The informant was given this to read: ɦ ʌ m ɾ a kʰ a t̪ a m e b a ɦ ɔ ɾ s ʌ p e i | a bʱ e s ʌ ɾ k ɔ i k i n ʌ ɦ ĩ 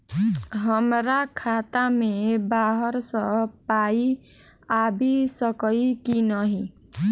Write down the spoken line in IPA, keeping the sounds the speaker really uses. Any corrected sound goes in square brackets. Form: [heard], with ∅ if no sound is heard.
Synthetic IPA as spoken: ɦ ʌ m ɾ a kʰ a t̪ a m e b a ɦ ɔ ɾ s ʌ p [a] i | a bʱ [i] s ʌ [∅] k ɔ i k i n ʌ ɦ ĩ